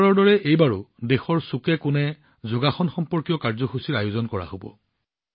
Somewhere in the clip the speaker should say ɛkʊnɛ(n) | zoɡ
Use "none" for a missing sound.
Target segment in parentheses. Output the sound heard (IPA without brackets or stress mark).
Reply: none